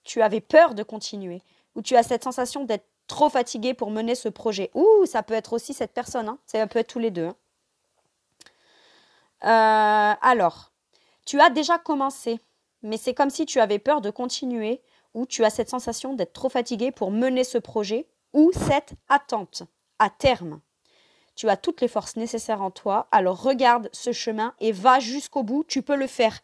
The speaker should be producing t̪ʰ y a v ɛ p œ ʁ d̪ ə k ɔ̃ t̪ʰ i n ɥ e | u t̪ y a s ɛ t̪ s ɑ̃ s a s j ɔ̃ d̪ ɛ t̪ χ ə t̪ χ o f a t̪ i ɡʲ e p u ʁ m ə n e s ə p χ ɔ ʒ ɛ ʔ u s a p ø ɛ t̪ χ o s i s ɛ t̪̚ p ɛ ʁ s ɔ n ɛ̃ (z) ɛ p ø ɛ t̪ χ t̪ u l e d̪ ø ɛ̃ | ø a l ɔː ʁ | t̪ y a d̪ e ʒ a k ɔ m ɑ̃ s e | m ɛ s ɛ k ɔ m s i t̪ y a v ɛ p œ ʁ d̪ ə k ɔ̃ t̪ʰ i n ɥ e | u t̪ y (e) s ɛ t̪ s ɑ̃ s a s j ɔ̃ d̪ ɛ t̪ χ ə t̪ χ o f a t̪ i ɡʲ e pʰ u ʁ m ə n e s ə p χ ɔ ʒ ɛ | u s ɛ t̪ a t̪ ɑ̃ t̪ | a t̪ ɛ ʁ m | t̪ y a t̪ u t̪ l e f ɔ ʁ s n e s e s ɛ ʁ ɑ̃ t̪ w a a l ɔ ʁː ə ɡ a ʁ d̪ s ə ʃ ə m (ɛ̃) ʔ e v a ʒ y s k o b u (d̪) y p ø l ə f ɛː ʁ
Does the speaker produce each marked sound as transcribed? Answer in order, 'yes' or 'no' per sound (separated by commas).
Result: no, no, yes, no